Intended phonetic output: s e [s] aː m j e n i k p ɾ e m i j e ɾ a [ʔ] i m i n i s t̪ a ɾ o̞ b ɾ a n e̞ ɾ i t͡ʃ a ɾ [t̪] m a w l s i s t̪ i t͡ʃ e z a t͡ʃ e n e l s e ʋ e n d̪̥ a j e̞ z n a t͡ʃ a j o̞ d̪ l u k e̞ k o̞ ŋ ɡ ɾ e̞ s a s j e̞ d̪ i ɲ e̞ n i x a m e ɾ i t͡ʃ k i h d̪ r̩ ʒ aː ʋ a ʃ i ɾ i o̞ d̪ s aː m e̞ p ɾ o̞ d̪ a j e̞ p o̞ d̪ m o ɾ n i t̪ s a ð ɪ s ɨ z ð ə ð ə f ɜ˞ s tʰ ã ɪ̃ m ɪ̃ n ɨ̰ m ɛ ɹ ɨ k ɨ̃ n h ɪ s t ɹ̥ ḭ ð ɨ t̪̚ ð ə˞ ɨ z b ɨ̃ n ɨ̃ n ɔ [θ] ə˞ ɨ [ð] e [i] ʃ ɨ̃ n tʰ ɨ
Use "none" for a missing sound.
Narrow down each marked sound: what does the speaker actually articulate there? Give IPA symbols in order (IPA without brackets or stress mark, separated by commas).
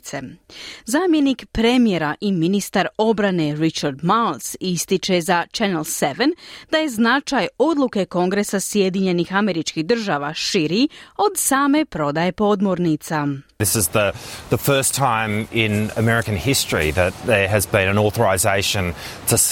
z, ʔ, d̪, θ, z, ɪ